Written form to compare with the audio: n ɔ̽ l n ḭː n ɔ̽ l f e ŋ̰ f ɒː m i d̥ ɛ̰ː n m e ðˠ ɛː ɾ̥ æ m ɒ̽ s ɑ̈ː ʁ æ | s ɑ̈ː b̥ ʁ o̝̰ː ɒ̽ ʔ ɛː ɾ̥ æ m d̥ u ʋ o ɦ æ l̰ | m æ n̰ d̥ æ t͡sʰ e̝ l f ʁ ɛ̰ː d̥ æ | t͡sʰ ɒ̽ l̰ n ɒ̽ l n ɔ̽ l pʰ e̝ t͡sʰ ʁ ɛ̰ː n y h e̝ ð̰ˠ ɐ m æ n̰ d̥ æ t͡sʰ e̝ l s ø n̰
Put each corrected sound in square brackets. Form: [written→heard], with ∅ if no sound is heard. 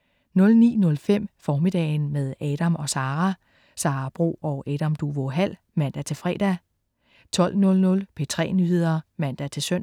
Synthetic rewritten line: n ɔ̽ l n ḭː n ɔ̽ l f e [ŋ̰→m̰] f ɒː m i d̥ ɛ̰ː n m e ðˠ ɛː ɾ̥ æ m ɒ̽ s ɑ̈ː ʁ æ | s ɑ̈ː b̥ ʁ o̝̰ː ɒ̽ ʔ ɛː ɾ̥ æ m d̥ u ʋ o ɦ æ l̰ | m æ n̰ d̥ æ t͡sʰ e̝ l f ʁ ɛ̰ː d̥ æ | t͡sʰ ɒ̽ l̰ n [ɒ̽→ɔ̽] l n ɔ̽ l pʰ e̝ t͡sʰ ʁ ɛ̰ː n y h e̝ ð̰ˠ ɐ m æ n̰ d̥ æ t͡sʰ e̝ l s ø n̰